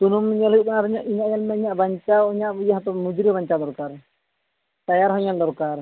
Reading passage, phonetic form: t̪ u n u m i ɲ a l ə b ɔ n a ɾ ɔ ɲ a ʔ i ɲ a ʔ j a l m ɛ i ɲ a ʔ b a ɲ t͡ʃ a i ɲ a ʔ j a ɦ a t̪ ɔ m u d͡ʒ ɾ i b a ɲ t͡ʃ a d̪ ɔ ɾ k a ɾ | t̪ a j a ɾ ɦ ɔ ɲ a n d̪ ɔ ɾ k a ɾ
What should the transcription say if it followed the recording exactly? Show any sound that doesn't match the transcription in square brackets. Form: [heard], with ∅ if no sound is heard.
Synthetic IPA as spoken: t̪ u n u m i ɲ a l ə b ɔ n a ɾ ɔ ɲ a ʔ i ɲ a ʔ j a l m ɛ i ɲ a ʔ b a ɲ t͡ʃ a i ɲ a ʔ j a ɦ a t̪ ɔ m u d͡ʒ ɾ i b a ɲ t͡ʃ a d̪ ɔ ɾ k a ɾ | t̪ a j a ɾ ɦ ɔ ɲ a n d̪ ɔ ɾ k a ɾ